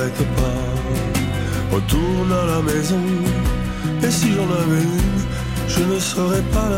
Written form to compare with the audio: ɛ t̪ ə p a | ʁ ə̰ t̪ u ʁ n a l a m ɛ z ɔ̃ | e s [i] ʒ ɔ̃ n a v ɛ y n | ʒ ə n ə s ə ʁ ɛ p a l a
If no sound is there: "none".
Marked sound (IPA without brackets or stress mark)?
i